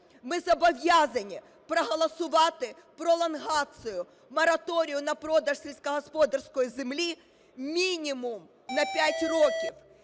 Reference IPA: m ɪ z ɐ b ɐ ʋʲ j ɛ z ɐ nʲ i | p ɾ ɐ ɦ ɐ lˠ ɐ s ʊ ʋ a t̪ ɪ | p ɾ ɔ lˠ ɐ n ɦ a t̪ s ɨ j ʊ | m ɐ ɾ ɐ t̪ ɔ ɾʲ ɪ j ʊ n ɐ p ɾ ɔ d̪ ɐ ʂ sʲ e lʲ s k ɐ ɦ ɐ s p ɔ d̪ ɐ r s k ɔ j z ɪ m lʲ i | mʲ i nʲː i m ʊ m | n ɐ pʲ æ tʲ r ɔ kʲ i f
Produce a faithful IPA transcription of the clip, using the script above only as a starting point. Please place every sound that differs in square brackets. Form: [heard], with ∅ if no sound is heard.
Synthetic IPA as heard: m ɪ z ɐ b ɐ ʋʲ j [a] z ɐ nʲ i | p ɾ ɐ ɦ ɐ lˠ ɐ s ʊ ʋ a t̪ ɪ | p ɾ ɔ lˠ ɐ n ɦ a t̪ s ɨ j ʊ | m ɐ ɾ ɐ t̪ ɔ ɾʲ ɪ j ʊ n ɐ p ɾ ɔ d̪ ɐ ʂ sʲ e lʲ s k ɐ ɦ ɐ s p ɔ d̪ ɐ r s k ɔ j z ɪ m lʲ i | mʲ i [nʲ] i m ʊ m | n ɐ pʲ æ tʲ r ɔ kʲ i f